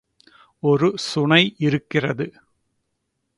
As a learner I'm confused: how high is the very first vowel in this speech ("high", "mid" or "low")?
mid